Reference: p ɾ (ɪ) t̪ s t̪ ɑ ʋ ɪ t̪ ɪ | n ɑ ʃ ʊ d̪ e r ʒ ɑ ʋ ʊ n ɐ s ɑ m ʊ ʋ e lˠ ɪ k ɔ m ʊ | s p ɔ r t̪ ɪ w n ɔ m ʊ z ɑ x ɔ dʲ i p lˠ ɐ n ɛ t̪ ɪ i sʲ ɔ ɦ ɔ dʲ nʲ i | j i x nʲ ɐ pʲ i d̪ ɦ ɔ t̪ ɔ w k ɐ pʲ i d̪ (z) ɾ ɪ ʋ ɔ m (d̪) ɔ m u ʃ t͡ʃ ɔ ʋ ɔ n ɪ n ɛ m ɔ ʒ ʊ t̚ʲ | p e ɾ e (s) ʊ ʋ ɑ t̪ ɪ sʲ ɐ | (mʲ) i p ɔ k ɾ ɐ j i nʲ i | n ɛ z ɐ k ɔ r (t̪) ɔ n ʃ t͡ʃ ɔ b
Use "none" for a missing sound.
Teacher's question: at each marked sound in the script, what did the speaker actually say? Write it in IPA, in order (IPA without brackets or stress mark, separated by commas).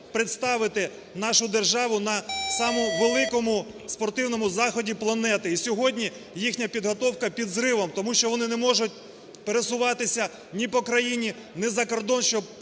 ɪ, z, t̪, s, nʲ, d̪